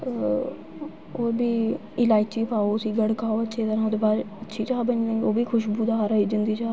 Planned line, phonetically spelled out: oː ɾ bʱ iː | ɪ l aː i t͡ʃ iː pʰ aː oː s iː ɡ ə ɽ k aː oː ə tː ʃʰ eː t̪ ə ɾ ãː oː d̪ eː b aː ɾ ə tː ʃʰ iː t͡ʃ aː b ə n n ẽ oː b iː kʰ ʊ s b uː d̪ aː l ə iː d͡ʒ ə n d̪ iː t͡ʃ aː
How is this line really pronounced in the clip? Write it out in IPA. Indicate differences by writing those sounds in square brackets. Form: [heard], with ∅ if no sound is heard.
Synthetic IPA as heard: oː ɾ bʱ iː | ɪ l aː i t͡ʃ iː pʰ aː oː s iː ɡ ə ɽ k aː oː ə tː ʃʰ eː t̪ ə ɾ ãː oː d̪ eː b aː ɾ ə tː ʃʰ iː t͡ʃ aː b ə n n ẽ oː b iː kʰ ʊ [ʃ] b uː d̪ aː [ɾ] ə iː d͡ʒ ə n d̪ iː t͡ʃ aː